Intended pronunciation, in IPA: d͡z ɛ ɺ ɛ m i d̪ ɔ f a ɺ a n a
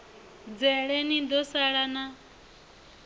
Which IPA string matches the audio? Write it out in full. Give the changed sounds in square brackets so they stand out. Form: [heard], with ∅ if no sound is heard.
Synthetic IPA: d͡z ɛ ɺ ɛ [n] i d̪ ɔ [s] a ɺ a n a